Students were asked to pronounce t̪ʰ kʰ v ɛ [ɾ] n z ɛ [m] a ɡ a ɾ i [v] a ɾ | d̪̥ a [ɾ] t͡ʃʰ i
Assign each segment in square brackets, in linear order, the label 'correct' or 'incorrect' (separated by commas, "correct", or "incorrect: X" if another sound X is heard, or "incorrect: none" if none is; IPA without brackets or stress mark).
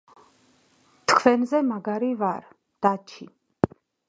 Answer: incorrect: none, correct, correct, incorrect: none